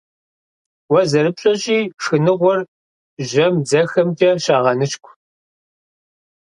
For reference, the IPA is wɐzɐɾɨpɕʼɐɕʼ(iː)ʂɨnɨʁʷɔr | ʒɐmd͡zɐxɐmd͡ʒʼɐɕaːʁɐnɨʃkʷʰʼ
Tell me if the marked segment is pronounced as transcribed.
yes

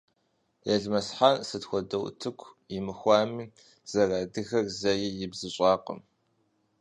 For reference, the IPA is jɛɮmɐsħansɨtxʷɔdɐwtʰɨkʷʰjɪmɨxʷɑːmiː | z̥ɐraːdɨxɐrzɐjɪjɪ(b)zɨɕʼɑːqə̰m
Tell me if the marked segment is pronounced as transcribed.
yes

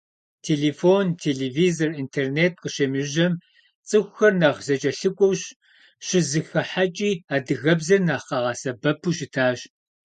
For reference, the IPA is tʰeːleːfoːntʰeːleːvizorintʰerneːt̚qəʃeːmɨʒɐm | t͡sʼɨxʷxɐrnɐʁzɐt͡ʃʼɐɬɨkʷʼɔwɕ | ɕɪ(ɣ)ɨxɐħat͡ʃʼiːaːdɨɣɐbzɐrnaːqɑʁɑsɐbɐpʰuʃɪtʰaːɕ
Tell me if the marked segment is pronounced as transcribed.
no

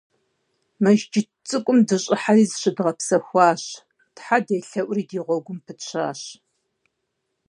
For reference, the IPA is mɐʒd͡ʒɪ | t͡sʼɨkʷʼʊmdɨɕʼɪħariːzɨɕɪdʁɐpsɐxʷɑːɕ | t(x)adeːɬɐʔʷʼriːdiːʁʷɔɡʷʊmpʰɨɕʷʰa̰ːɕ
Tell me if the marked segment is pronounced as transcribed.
no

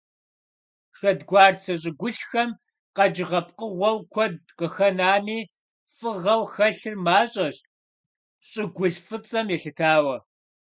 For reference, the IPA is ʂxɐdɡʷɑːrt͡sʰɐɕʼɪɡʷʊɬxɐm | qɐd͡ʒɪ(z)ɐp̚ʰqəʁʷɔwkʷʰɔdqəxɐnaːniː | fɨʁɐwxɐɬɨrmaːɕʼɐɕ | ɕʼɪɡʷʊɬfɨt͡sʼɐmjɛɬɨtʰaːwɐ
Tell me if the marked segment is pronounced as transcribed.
no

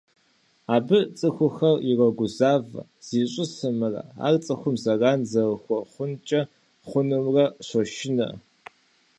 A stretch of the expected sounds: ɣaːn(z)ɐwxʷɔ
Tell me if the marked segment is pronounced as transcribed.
yes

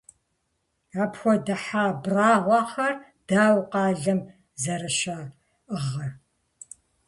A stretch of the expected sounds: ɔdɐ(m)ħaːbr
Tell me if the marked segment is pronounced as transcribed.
no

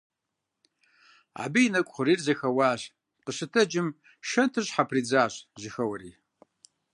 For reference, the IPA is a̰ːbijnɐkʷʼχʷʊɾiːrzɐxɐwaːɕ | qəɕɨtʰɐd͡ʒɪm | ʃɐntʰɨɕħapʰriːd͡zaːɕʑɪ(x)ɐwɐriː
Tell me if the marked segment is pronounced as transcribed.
yes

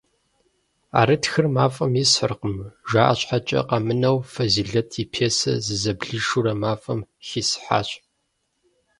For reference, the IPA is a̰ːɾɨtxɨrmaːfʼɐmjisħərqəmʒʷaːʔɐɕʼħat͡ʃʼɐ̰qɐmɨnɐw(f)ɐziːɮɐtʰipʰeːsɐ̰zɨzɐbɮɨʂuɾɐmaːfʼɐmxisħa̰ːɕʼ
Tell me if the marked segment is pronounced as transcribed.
yes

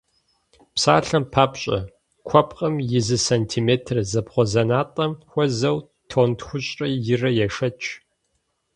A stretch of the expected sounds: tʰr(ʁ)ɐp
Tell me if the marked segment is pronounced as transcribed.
no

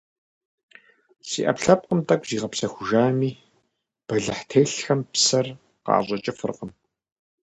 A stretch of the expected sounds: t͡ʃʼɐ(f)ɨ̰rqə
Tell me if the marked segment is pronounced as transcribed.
yes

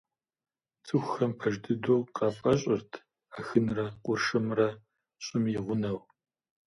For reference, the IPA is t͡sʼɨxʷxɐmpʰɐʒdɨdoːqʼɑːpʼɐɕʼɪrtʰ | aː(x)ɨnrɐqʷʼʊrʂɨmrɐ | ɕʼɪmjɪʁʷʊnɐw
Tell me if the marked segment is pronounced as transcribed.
yes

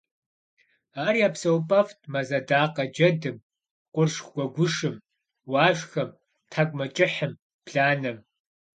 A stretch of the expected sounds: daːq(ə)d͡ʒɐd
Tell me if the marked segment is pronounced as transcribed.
no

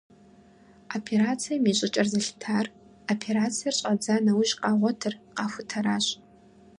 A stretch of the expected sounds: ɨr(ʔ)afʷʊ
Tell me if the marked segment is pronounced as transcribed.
no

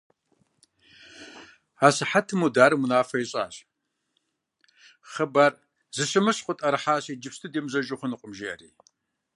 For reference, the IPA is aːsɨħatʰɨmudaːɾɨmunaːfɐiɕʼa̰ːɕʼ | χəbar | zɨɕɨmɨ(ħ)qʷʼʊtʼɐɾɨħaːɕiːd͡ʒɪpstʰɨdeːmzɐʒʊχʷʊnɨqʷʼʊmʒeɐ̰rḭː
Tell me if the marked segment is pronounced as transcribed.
no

